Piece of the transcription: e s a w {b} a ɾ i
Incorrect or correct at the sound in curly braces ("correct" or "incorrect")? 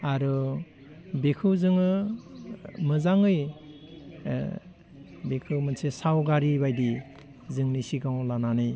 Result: incorrect